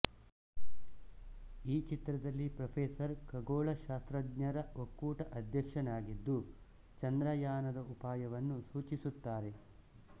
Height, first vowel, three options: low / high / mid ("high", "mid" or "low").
high